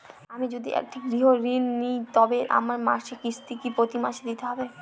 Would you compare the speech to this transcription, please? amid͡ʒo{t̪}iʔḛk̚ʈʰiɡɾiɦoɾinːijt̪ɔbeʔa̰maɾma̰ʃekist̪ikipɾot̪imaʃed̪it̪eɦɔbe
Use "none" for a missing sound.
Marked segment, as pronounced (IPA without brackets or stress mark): d̪